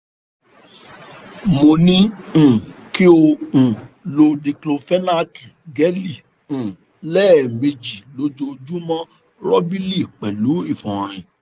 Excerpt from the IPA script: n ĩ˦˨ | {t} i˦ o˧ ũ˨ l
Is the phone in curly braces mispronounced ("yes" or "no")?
yes